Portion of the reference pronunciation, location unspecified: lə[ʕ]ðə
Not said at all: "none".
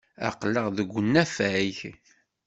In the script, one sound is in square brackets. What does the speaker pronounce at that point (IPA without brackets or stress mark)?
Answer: ʁ